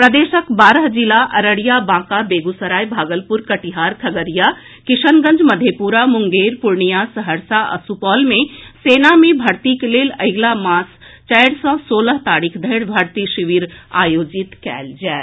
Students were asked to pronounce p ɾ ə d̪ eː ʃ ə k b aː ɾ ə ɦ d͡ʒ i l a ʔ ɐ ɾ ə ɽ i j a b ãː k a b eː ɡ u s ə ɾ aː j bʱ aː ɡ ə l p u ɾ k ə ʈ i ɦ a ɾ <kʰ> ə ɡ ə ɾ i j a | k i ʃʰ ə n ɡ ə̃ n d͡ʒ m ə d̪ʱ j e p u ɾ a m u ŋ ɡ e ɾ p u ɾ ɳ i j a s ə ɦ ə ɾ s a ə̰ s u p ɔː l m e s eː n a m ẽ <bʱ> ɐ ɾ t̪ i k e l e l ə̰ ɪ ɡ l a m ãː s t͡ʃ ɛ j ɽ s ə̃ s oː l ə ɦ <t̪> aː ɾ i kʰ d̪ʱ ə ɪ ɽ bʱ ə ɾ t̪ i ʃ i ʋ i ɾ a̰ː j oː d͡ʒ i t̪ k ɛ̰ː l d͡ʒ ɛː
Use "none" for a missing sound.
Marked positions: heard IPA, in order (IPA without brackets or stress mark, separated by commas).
kʰ, bʱ, t̪